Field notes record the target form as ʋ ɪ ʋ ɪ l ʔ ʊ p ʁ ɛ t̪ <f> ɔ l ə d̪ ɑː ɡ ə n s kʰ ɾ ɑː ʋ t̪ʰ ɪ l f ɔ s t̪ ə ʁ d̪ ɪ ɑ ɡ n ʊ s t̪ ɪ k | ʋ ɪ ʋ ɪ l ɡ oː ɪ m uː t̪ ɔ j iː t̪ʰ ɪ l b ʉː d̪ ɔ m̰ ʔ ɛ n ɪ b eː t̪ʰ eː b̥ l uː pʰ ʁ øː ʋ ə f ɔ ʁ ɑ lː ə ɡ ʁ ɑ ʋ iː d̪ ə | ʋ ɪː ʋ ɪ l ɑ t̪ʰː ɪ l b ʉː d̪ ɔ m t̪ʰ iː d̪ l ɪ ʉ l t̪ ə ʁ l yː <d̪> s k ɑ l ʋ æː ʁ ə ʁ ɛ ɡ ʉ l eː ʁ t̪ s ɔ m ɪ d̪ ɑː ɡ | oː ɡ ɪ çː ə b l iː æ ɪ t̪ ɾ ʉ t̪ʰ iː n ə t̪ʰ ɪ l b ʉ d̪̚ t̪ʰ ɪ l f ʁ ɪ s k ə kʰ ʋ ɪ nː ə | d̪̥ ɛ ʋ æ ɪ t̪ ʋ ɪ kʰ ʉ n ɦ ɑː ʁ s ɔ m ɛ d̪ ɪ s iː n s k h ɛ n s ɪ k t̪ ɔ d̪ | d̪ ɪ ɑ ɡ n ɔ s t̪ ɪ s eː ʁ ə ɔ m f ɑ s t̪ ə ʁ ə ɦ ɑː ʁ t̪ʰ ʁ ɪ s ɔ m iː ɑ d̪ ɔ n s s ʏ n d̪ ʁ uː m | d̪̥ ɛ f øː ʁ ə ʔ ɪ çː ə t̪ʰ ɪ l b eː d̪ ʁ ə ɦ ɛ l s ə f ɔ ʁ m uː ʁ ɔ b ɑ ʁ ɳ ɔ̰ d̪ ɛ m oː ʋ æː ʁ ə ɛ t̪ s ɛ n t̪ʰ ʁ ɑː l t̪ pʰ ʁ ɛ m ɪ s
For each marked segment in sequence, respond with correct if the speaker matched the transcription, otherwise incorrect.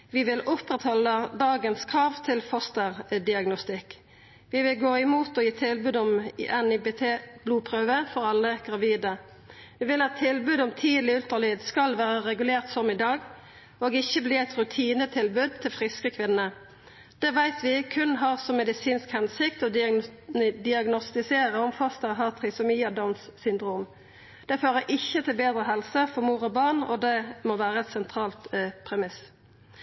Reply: incorrect, correct

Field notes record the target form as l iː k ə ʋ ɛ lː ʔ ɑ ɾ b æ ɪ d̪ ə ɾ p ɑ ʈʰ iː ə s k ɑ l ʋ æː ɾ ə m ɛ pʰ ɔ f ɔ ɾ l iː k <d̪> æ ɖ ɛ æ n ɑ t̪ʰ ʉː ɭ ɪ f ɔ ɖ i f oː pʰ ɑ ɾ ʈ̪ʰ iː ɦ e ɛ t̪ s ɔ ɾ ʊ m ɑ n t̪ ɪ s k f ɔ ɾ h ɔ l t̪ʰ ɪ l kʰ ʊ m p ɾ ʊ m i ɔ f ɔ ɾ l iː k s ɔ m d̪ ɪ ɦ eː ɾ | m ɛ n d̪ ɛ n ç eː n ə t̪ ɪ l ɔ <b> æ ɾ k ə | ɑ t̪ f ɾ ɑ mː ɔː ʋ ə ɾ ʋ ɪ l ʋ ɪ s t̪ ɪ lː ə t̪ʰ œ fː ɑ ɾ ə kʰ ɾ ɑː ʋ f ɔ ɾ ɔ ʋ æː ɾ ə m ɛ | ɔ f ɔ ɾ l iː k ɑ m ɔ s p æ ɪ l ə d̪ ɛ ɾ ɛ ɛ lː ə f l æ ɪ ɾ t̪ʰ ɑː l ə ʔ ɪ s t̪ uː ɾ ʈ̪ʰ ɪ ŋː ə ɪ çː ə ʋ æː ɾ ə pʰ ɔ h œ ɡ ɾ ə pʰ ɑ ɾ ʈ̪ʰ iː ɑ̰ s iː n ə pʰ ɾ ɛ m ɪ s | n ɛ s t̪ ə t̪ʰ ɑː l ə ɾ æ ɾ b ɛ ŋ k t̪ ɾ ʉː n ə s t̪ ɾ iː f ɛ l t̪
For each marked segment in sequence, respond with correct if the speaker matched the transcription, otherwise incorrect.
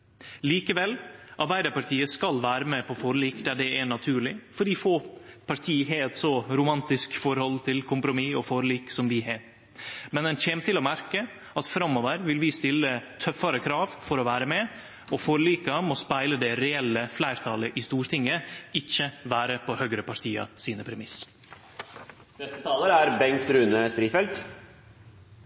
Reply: correct, incorrect

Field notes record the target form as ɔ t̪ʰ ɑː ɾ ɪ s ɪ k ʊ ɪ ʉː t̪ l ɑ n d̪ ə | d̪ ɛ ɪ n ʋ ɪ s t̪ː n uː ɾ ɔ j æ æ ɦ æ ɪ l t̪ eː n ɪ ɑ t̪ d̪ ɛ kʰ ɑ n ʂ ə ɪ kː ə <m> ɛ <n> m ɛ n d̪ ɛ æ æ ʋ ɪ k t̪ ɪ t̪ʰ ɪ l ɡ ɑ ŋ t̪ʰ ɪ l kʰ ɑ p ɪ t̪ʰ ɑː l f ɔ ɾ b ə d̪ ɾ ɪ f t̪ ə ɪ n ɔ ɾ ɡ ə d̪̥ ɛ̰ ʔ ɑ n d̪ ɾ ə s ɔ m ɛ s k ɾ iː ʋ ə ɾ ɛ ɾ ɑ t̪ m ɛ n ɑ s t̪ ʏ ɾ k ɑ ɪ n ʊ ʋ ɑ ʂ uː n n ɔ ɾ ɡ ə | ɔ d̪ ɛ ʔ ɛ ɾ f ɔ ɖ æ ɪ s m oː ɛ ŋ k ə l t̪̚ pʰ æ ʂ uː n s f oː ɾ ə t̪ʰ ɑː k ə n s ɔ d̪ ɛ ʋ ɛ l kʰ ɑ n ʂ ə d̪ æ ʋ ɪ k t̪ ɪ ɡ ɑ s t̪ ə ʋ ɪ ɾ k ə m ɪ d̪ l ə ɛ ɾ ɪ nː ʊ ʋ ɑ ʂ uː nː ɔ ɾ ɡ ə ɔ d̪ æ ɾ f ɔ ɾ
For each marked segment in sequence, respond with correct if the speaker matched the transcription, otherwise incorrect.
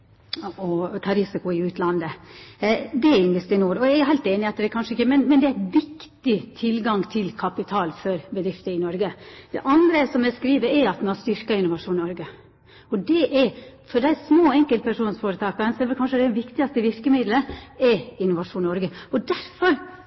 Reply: correct, correct

